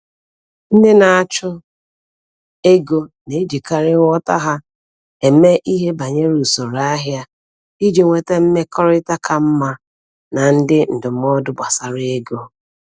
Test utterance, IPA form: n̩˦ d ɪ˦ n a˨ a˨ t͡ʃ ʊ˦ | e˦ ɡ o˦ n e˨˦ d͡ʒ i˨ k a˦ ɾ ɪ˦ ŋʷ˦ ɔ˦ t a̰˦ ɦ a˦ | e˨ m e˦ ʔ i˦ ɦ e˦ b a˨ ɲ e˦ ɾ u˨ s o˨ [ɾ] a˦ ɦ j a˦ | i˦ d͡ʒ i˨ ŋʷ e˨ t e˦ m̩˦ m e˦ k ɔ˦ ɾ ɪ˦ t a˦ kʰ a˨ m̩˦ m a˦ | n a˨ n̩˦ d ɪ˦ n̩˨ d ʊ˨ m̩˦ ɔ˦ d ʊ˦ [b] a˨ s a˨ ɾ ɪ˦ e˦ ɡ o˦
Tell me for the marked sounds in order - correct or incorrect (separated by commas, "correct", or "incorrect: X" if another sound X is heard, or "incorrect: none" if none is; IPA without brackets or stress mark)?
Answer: correct, correct